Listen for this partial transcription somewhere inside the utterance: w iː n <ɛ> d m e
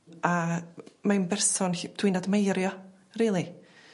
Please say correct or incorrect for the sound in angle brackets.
incorrect